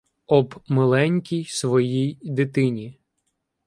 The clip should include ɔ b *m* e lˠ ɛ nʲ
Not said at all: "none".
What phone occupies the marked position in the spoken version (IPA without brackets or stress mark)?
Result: m